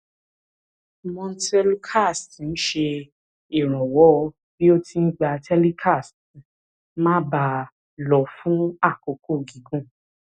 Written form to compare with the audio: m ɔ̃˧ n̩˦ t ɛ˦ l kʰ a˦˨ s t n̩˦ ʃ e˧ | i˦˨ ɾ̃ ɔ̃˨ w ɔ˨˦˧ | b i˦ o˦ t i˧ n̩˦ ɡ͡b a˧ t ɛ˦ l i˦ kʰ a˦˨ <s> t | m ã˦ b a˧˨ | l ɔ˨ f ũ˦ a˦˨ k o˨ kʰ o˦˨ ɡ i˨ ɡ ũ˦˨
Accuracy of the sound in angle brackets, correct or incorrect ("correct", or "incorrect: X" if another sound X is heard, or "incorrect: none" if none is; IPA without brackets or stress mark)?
correct